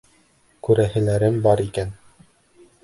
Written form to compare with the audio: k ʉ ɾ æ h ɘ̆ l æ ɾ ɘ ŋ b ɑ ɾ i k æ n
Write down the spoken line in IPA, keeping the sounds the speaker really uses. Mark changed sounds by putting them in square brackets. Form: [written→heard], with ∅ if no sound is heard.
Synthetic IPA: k ʉ ɾ æ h ɘ̆ l æ ɾ ɘ [ŋ→m] b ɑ ɾ i k æ n